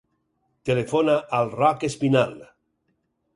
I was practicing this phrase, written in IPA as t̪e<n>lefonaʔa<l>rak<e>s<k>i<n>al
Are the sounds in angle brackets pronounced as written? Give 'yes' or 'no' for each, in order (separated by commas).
no, yes, yes, no, yes